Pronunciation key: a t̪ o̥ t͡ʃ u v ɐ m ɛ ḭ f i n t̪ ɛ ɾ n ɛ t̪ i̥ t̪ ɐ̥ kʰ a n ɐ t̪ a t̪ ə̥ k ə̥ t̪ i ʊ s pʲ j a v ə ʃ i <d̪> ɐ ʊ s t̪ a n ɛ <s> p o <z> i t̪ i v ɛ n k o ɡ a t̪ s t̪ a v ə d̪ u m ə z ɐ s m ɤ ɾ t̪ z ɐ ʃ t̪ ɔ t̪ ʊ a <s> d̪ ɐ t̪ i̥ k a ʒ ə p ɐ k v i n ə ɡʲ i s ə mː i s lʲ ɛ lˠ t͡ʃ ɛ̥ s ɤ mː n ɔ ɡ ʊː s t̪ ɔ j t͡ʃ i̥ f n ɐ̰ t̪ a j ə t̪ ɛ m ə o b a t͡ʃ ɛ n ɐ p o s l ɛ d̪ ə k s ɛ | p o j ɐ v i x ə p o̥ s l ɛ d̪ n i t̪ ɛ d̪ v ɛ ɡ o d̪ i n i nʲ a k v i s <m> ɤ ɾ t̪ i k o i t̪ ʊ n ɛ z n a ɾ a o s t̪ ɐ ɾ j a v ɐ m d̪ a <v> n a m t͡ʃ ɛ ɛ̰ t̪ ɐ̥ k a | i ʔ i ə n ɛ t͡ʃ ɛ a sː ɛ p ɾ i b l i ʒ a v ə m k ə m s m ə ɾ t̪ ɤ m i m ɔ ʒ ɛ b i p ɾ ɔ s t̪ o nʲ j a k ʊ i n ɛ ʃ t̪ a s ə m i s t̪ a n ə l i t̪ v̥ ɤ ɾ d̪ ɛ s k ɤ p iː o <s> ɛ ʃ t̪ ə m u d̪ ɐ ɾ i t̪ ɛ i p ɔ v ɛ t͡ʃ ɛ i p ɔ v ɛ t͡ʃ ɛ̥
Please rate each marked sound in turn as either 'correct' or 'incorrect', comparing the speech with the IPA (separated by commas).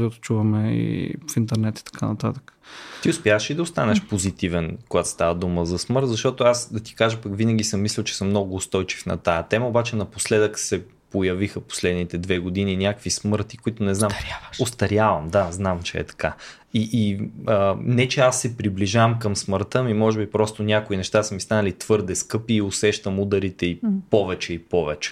correct, incorrect, correct, correct, correct, incorrect, correct